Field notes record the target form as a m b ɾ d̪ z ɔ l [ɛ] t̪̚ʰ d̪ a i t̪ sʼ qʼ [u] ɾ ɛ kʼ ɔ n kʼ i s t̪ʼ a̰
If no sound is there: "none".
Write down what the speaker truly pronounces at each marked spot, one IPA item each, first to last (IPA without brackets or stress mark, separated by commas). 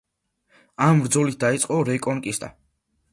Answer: i, ɔ